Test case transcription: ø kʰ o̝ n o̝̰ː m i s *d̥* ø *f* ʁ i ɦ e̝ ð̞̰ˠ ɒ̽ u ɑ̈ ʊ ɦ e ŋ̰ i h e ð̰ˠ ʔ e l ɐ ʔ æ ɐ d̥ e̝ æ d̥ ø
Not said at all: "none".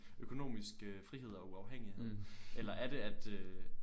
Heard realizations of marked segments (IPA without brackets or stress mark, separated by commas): ɡ̥, f